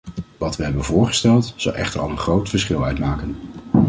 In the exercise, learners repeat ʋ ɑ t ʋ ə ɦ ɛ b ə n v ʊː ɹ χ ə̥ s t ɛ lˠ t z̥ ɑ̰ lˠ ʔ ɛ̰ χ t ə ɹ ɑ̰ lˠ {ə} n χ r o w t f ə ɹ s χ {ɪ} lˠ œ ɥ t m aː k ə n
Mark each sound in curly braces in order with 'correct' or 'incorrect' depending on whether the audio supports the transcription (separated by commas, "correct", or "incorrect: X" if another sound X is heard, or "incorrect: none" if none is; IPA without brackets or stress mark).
correct, correct